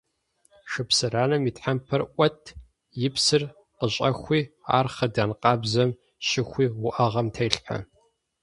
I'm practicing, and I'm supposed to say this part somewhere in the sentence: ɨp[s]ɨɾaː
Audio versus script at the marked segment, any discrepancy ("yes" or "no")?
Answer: no